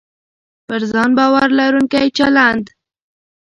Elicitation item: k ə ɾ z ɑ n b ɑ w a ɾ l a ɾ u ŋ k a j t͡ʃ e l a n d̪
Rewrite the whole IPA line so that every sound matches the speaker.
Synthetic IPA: p ə ɾ z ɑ n b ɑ w a ɾ l a ɾ u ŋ k a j t͡ʃ a l a n d̪